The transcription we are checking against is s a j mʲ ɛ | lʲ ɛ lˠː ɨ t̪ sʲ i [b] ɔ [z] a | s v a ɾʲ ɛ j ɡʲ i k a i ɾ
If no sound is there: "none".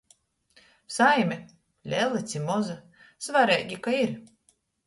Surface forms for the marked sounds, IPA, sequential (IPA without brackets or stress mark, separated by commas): m, z